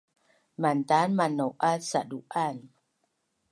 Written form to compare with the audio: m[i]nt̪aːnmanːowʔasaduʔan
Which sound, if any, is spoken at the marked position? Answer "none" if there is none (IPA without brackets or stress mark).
a